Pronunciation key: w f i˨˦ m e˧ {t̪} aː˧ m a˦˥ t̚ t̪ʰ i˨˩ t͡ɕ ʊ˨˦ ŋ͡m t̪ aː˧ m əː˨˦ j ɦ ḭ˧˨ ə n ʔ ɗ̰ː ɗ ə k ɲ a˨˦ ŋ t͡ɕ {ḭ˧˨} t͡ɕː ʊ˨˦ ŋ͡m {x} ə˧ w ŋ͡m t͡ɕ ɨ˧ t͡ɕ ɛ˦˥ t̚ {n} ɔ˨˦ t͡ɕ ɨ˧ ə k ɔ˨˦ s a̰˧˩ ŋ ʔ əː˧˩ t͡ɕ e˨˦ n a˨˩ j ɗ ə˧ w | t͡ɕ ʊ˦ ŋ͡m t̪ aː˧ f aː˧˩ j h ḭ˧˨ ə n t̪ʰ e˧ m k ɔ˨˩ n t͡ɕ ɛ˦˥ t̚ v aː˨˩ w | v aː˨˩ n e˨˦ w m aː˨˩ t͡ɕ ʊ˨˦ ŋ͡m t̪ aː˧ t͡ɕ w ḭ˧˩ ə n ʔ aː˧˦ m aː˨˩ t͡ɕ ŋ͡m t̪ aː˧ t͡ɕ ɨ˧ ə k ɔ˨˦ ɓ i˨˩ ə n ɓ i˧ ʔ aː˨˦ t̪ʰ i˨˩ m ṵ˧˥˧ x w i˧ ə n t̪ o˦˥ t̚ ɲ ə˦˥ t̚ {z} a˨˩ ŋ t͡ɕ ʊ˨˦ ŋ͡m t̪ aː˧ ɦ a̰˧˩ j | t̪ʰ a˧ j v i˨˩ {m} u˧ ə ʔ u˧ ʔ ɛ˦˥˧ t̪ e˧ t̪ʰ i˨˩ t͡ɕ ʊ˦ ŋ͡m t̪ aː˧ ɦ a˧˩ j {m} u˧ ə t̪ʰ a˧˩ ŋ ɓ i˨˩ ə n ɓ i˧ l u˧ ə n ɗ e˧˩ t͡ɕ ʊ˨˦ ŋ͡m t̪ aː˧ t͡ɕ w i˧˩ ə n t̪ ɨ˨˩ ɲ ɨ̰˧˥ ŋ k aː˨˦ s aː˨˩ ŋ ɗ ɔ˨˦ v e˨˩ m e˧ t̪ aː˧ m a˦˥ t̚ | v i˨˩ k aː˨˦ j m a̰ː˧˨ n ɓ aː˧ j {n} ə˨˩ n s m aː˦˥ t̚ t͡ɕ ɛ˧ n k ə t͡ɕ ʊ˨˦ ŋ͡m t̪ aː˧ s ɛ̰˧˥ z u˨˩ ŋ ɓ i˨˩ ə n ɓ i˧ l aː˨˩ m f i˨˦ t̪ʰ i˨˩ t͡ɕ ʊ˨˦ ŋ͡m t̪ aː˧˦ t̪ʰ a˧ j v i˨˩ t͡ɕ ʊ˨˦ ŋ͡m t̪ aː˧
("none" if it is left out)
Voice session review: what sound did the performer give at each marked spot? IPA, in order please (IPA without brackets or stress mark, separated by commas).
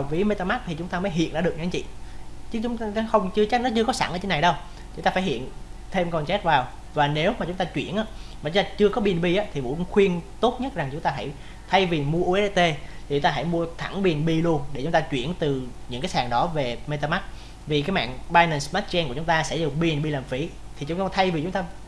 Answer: t̪, ḭ˧˨, x, n, z, m, m, n